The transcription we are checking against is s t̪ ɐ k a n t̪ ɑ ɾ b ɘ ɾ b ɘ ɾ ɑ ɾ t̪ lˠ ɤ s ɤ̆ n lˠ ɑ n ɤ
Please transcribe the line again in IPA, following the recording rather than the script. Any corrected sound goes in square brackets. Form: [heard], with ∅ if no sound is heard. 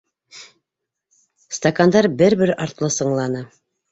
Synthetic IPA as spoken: s t̪ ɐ k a n [d̪] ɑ ɾ b ɘ ɾ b ɘ ɾ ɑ ɾ t̪ lˠ ɤ s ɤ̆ [ɴ] lˠ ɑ n ɤ